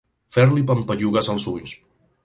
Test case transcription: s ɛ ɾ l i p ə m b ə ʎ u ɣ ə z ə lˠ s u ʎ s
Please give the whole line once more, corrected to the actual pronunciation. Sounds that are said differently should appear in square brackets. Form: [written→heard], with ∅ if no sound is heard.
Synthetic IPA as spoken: [s→f] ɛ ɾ l i p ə m [b→p] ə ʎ u ɣ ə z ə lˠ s u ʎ s

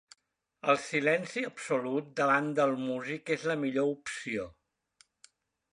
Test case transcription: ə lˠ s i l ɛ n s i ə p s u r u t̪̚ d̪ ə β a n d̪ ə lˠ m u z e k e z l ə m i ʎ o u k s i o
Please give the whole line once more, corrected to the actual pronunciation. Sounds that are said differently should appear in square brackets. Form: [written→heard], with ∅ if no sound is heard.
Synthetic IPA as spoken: ə lˠ s i l ɛ n s i ə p s u [r→l] u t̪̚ d̪ ə β a n d̪ ə lˠ m u z [e→i] k e z l ə m i ʎ o u [k→p] s i o

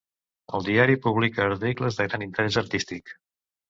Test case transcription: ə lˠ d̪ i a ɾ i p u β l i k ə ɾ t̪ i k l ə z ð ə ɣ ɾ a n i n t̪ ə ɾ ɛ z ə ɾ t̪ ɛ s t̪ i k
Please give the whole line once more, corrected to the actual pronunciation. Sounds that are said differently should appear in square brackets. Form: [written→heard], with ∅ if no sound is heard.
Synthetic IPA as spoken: ə lˠ d̪ i a ɾ i p u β l i k [ə→əː] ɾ t̪ i k l ə z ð ə ɣ ɾ a n i n t̪ ə ɾ ɛ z ə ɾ t̪ [ɛ→i] s t̪ i k

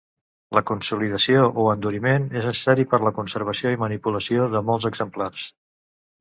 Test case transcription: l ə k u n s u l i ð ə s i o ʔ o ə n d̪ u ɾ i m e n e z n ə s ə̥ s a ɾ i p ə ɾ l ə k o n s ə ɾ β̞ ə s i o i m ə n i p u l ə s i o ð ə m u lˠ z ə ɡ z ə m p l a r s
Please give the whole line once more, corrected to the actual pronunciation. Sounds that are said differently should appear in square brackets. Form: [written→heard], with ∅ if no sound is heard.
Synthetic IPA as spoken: l ə k u n s u l i ð ə s i o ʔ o ə n d̪ u ɾ i m e n e z n ə s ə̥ s a ɾ i p ə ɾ l ə k [o→u] n s ə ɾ β̞ ə s i o i m ə n i p u l ə s i o ð ə m [u→ɔ] lˠ z ə ɡ z ə m p l a r s

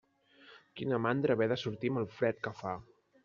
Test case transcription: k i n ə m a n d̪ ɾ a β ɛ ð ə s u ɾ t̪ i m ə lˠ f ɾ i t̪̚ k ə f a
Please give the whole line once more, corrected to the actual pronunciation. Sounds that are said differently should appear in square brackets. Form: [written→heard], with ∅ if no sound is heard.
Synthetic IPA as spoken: k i n ə m a n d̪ ɾ [a→ə] β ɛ ð ə s u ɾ t̪ i m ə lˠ f ɾ [i→ɛ] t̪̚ k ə f a

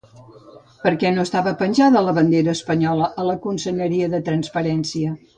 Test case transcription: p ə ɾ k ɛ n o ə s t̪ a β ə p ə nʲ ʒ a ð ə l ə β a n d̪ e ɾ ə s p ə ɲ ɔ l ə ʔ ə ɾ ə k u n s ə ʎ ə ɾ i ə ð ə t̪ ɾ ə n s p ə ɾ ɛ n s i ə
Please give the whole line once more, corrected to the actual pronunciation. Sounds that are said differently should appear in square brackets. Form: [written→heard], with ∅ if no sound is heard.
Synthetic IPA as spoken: p ə ɾ k ɛ n o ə s t̪ a β ə p ə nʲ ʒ a ð ə l ə β [a→ə] n d̪ e ɾ [ə→əː] s p ə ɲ ɔ l ə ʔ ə [ɾ→l] ə k u n s ə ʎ ə ɾ i ə ð ə t̪ ɾ ə n s p ə ɾ ɛ n s i ə

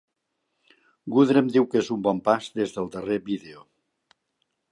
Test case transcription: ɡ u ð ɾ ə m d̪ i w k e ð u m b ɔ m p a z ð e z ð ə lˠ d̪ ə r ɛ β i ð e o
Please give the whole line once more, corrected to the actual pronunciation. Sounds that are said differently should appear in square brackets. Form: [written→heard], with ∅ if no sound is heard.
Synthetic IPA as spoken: ɡ u ð ɾ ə m d̪ i w k e [ð→z] u m b ɔ m p a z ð e z ð ə lˠ d̪ ə r [ɛ→e] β i ð e o

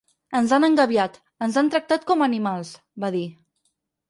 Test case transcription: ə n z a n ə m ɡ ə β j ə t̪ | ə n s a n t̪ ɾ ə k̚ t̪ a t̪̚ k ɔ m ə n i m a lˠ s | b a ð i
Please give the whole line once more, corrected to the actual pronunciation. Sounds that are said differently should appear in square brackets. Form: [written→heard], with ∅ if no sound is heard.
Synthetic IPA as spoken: ə n z a n ə [m→ŋ] ɡ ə β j [ə→a] t̪ | ə n [s→z] a n t̪ ɾ ə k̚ t̪ a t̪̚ k ɔ m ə n i m a lˠ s | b a ð i

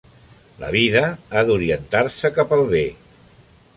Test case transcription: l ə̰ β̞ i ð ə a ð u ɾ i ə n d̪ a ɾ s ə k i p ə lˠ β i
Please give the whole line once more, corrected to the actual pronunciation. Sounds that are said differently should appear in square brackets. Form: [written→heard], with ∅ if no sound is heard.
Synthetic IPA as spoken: l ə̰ β̞ i ð ə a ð u ɾ i ə n [d̪→t̪] a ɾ s ə k [i→a] p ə lˠ β [i→e]

